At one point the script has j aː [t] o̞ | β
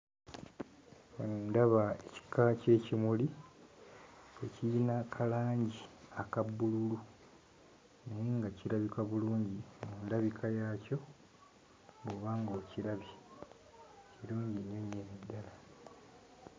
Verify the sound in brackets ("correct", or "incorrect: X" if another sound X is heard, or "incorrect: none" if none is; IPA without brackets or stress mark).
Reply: incorrect: c